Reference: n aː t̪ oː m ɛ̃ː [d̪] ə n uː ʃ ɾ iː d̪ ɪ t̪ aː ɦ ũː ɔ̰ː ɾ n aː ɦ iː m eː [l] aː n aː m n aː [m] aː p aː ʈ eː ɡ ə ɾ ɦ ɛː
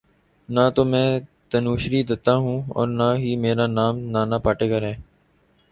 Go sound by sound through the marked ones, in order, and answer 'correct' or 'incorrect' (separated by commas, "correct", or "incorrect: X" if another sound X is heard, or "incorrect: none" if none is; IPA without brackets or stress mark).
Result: incorrect: t̪, incorrect: ɾ, incorrect: n